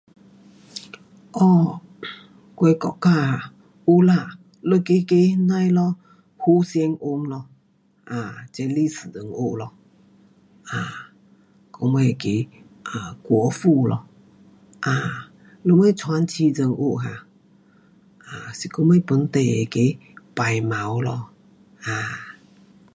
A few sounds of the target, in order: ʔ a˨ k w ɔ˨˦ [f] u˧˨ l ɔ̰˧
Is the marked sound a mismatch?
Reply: no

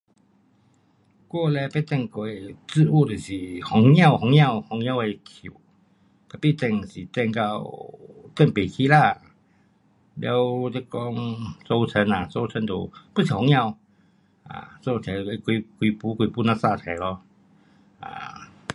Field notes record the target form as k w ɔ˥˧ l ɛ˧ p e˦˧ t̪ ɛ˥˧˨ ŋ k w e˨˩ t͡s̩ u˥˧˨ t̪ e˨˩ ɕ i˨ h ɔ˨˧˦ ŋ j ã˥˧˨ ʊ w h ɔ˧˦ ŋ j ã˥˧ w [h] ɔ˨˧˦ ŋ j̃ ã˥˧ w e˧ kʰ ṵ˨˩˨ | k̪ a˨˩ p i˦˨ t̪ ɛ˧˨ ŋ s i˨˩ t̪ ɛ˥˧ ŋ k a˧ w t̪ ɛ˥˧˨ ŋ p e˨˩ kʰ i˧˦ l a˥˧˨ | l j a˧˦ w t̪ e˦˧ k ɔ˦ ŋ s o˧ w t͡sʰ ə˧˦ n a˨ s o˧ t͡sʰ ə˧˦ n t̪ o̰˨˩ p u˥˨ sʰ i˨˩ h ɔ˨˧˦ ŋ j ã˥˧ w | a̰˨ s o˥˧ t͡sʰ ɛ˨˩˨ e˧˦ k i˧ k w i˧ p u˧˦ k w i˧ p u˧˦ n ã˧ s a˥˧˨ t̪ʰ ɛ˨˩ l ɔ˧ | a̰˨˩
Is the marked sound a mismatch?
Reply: no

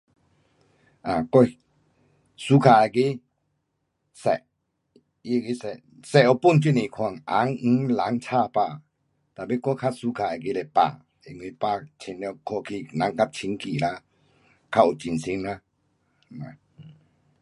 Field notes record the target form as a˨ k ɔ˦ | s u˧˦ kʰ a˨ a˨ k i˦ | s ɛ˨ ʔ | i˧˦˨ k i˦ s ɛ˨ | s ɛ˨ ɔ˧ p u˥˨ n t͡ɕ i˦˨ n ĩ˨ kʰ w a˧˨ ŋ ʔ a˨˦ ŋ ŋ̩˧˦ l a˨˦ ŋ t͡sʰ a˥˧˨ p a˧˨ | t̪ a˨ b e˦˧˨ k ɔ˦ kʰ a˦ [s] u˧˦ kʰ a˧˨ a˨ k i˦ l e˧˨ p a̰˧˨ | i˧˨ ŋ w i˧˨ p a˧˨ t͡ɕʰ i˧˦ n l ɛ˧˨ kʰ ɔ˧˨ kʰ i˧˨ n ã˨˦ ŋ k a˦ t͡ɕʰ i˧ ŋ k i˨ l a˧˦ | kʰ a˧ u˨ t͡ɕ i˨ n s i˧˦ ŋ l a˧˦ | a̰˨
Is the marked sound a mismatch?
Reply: no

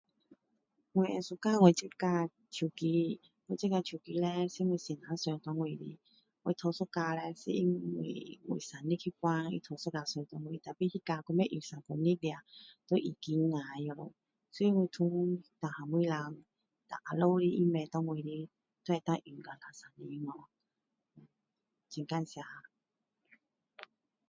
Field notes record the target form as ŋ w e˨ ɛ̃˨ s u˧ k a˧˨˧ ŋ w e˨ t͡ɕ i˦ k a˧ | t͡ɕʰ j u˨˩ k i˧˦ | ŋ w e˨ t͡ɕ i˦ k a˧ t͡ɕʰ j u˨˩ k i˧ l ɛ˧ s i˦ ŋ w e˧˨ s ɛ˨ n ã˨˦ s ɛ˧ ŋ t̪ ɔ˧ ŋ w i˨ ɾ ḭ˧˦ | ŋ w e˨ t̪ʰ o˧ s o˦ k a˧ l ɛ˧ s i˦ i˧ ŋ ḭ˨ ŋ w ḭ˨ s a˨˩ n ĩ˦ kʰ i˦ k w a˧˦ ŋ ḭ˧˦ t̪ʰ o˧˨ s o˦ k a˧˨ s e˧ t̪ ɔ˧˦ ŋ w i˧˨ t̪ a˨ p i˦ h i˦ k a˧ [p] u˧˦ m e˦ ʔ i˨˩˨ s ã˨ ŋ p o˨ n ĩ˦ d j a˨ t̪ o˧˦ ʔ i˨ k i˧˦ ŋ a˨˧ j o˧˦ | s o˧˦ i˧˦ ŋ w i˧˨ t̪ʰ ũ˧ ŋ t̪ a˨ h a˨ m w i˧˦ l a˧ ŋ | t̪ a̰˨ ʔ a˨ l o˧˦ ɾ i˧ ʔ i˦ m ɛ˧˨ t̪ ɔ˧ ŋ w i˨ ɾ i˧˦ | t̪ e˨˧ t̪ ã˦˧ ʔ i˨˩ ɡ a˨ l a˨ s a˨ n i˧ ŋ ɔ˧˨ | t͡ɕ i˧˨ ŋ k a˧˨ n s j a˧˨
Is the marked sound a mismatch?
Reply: yes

